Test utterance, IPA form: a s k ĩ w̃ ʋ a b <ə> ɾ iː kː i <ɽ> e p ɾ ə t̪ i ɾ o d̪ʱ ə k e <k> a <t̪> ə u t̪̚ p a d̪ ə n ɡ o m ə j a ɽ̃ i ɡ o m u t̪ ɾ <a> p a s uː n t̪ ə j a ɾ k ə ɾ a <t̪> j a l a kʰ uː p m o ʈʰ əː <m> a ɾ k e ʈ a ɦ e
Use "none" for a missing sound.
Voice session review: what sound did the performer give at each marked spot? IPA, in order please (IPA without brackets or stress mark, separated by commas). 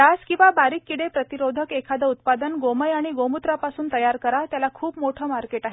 a, ɽ, kʰ, d̪, a, t̪, m